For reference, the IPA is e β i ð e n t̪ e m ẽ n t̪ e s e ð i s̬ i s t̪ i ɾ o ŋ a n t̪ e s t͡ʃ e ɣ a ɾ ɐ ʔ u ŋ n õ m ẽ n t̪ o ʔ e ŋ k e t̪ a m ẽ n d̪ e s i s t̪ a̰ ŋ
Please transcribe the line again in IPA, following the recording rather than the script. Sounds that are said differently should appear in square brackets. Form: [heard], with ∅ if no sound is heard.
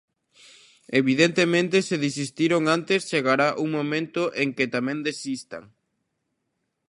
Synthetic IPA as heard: e β i ð e n t̪ e m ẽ n t̪ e s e ð i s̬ i s t̪ i ɾ o ŋ a n t̪ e s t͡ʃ e ɣ a ɾ [a] ʔ u ŋ [m] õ m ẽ n t̪ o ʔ e ŋ k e t̪ a m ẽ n d̪ e s i s t̪ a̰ ŋ